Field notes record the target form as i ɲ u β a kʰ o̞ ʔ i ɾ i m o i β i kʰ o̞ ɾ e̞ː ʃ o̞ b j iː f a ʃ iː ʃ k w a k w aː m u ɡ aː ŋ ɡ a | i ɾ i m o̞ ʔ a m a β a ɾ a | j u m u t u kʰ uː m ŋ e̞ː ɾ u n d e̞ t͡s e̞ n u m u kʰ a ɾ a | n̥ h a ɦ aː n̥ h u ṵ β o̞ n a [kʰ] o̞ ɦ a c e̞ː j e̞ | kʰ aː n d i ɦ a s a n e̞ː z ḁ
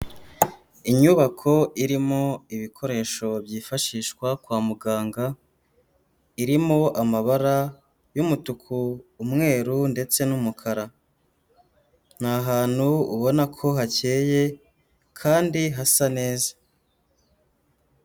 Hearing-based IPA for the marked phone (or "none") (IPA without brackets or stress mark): kʰ